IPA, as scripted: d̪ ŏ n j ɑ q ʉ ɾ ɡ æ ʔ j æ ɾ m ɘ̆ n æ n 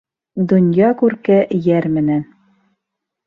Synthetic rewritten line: d̪ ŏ n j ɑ k ʉ ɾ k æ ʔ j æ ɾ m ɘ̆ n æ n